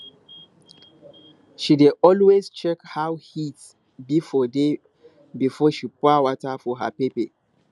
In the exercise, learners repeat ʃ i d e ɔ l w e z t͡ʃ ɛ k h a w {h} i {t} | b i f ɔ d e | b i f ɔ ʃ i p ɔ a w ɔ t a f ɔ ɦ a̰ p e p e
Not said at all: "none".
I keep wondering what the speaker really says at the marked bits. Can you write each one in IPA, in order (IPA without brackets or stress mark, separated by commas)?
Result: h, t